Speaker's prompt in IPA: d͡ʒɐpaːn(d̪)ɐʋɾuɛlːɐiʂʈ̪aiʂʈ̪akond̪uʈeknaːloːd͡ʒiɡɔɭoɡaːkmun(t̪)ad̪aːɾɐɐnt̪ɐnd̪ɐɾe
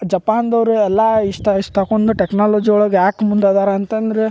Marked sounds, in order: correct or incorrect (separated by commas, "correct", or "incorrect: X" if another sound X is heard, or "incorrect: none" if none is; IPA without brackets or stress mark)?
correct, incorrect: d̪